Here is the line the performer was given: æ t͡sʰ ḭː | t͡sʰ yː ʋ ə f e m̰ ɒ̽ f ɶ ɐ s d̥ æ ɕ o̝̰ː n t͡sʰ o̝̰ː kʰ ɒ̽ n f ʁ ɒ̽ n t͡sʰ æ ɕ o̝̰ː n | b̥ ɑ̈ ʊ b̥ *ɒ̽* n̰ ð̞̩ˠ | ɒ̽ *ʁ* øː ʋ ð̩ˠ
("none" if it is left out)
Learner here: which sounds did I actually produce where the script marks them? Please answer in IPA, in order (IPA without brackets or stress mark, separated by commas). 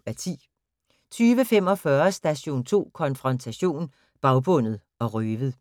ɔ̽, ʁ